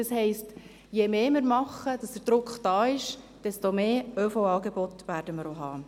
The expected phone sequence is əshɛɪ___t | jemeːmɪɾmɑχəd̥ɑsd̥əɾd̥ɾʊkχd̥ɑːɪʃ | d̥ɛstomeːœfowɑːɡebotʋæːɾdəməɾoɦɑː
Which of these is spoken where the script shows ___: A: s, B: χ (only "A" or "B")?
A